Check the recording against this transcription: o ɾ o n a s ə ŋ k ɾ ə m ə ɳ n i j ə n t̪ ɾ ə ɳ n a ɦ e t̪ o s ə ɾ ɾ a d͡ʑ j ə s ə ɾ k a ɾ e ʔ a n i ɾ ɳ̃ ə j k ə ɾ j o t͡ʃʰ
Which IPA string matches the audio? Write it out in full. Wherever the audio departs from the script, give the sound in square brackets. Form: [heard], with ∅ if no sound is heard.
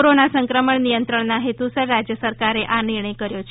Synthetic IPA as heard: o ɾ o n a s ə ŋ k ɾ ə m ə ɳ n i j ə n t̪ ɾ ə ɳ n a ɦ e t̪ [u] s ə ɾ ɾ a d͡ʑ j ə s ə ɾ k a ɾ e ʔ a n i ɾ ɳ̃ ə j k ə ɾ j o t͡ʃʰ